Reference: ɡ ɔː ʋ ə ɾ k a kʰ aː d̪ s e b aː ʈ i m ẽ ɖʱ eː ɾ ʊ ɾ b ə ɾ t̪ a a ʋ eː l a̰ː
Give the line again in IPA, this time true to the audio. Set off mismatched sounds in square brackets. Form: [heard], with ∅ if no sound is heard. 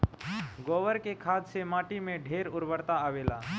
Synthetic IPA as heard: ɡ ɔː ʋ ə ɾ k [e] kʰ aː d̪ s e [m] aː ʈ i m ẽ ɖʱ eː ɾ ʊ ɾ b ə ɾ t̪ a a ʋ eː l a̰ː